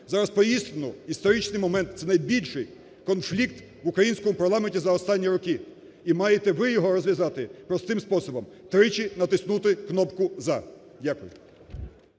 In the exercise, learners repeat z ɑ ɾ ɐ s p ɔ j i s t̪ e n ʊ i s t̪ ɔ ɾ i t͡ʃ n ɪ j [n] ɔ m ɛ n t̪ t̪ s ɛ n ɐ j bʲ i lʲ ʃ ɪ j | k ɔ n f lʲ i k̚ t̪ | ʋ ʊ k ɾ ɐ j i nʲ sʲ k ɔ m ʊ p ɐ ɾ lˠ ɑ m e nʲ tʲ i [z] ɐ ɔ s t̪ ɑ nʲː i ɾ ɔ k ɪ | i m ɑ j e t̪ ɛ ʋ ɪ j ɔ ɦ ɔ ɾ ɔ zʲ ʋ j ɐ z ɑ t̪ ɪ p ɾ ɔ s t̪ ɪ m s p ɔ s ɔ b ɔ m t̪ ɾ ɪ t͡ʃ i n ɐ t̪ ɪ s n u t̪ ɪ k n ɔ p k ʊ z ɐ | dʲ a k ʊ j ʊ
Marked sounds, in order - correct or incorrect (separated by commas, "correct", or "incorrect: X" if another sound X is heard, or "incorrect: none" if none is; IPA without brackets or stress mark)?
incorrect: m, correct